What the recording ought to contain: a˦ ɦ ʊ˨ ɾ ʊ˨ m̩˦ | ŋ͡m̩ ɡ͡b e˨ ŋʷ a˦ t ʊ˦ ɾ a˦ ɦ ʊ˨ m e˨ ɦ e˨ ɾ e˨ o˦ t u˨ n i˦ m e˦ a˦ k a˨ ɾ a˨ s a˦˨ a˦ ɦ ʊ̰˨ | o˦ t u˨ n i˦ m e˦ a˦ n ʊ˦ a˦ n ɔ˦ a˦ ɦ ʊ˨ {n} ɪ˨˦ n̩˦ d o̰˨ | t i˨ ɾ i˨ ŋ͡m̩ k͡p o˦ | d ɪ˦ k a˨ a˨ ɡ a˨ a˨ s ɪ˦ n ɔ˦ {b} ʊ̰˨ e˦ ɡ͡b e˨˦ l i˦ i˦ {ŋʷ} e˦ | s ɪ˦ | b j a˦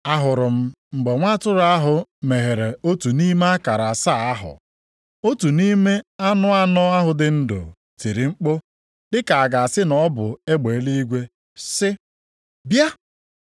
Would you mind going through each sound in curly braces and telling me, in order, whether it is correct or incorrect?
incorrect: d, correct, incorrect: ɡʷ

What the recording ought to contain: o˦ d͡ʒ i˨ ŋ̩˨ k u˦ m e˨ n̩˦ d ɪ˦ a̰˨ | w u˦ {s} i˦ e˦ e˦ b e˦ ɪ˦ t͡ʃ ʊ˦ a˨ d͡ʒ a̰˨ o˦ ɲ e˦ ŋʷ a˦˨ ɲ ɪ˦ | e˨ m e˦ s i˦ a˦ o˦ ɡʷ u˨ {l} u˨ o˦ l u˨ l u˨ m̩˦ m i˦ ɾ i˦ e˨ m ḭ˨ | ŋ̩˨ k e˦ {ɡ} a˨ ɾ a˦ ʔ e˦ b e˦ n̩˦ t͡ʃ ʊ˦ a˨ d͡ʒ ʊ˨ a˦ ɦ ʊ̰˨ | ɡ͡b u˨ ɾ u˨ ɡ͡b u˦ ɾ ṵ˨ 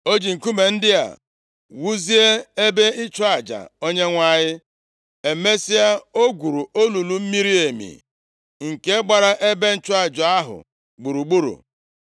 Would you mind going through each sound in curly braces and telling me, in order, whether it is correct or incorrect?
incorrect: z, incorrect: ɾ, incorrect: ɡ͡b

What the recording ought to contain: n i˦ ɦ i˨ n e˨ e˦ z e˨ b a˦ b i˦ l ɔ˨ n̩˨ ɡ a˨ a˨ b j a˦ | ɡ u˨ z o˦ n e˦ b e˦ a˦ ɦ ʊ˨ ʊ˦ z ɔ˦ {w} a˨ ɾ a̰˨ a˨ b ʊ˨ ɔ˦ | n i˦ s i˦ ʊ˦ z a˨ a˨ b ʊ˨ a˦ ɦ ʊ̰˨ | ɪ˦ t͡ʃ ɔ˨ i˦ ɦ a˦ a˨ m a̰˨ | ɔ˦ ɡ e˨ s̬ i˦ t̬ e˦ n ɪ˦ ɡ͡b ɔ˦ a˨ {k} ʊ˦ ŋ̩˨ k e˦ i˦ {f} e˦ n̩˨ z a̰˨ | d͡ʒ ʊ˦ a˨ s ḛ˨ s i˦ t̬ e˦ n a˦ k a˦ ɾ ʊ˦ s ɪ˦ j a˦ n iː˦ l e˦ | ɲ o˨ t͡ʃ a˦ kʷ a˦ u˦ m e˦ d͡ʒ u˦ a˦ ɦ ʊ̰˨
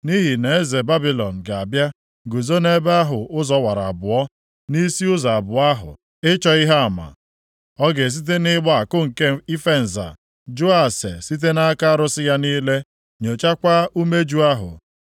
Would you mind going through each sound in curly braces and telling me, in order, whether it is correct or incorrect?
correct, correct, correct

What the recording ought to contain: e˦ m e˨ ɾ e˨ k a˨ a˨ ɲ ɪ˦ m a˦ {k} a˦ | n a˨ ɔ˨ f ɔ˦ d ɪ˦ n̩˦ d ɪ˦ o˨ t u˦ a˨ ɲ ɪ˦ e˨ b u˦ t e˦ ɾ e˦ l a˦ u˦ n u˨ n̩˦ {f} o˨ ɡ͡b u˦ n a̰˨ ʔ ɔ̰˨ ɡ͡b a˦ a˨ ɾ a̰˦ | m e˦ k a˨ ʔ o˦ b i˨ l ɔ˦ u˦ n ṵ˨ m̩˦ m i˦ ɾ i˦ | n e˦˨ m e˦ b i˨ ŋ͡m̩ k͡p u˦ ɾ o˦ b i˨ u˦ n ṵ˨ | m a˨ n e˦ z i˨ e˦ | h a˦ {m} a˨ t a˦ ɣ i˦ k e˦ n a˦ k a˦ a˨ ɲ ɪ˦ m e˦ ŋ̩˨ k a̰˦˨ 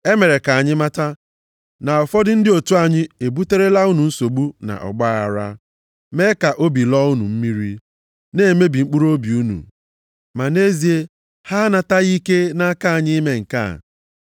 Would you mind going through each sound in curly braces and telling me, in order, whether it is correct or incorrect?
incorrect: t, incorrect: s, incorrect: n

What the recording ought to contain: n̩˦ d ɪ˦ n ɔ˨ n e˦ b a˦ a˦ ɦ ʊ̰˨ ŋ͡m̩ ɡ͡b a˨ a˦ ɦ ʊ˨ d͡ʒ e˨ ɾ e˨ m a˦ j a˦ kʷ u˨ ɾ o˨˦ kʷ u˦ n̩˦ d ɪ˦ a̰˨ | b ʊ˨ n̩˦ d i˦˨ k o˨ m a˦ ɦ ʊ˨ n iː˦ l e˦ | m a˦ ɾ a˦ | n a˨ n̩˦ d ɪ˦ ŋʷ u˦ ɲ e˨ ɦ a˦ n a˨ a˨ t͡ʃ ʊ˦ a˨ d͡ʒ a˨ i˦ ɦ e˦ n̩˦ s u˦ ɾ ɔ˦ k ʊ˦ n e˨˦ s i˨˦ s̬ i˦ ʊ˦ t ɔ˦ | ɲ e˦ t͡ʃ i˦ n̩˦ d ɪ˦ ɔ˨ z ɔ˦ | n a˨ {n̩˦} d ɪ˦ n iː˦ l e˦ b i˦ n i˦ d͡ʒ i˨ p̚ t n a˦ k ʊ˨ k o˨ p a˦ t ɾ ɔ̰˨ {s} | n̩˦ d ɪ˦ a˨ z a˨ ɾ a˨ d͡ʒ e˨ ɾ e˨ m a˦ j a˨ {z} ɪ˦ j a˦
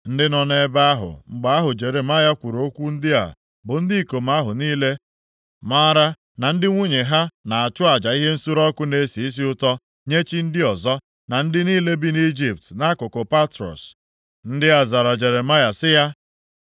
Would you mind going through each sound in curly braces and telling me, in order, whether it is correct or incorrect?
correct, correct, incorrect: s

